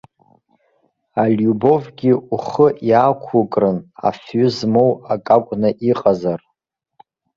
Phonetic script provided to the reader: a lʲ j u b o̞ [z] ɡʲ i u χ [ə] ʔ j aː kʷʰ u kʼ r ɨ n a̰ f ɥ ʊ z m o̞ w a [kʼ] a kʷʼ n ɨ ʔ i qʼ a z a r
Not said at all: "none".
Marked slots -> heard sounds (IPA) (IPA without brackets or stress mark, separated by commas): v, ə, kʼ